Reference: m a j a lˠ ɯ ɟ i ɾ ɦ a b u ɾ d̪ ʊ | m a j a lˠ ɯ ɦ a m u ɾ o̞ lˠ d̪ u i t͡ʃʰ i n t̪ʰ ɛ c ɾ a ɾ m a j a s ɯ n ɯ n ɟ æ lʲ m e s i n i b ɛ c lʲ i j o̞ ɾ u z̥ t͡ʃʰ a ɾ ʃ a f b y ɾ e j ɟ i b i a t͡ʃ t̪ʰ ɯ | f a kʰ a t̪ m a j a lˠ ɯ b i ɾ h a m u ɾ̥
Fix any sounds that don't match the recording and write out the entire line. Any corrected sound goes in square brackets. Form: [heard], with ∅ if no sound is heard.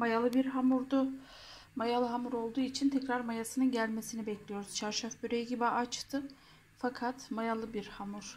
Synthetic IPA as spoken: m a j a lˠ ɯ [b] i ɾ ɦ a [m] u ɾ d̪ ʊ | m a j a lˠ ɯ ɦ a m u ɾ o̞ lˠ d̪ [uː] i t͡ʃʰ i n t̪ʰ ɛ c ɾ a ɾ m a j a s ɯ n ɯ n ɟ æ lʲ m e s i n i b ɛ c lʲ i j o̞ ɾ u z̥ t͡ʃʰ a ɾ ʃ a f b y ɾ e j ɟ i b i a t͡ʃ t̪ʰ ɯ | f a kʰ a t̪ m a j a lˠ ɯ b i ɾ h a m u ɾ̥